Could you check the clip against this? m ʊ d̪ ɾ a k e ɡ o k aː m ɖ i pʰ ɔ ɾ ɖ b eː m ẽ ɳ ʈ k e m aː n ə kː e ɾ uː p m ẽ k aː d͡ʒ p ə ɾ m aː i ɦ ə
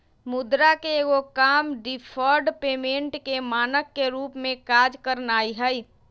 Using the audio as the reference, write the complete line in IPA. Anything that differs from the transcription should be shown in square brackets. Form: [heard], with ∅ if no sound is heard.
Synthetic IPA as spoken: m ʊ d̪ ɾ a k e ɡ o k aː m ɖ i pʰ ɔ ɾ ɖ [p] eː m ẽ ɳ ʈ k e m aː n ə kː e ɾ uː p m ẽ k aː d͡ʒ [k] ə ɾ [n] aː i ɦ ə